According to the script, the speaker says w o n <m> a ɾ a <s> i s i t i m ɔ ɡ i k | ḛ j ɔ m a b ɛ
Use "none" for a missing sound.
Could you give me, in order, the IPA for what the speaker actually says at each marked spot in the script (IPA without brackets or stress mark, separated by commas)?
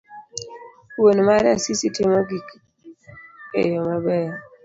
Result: m, s